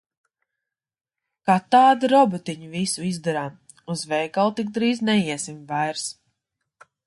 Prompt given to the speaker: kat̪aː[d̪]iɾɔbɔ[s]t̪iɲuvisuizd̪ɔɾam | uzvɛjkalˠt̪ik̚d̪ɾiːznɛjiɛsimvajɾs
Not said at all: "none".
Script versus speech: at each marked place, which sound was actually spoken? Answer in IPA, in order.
d̪, none

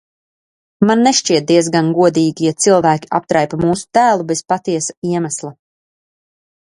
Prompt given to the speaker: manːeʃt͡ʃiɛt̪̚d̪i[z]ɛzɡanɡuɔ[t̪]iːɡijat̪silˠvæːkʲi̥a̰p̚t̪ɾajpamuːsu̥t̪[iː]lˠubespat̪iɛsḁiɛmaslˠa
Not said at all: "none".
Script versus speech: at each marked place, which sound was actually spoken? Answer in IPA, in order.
none, d̪, æː

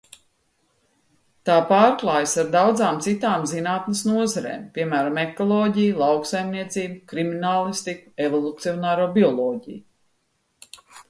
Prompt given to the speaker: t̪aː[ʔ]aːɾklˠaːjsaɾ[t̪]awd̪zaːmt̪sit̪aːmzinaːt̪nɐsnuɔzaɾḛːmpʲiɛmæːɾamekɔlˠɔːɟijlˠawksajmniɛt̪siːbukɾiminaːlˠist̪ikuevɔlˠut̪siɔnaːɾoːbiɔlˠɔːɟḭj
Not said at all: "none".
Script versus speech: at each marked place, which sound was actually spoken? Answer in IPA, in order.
p, d̪

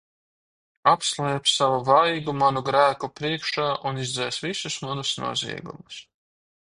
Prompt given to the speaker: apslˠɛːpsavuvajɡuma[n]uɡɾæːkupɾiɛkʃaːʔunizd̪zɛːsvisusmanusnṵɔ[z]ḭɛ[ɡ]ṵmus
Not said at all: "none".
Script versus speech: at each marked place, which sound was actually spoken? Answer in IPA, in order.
n, z, ɡ

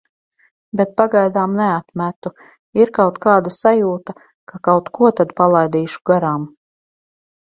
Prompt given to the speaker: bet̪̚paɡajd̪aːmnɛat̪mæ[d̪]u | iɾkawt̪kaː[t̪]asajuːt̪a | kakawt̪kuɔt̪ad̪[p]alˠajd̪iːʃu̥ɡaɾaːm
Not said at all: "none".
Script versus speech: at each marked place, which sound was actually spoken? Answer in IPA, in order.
t̪, d̪, p

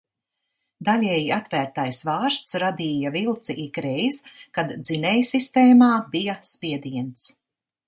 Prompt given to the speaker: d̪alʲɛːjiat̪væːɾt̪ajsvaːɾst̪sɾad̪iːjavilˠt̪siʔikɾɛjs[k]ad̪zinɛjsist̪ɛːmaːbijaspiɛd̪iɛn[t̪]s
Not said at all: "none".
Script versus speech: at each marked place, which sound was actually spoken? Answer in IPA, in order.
k, t̪

